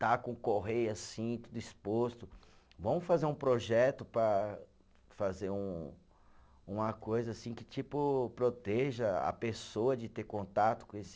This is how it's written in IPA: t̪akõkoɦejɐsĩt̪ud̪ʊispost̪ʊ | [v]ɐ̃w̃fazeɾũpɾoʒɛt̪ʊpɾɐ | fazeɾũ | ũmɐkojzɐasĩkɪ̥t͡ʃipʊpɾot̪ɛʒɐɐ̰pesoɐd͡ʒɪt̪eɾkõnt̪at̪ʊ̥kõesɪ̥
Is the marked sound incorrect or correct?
correct